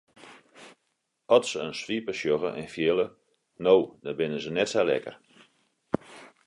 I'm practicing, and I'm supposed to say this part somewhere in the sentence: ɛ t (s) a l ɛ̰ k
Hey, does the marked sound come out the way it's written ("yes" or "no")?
yes